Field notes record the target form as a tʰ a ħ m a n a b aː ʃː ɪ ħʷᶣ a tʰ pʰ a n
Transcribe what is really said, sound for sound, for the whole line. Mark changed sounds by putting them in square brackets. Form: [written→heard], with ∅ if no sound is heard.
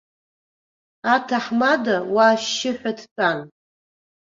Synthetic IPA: a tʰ a ħ m a [n→d] a [b→w] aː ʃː ɪ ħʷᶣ a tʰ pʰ a n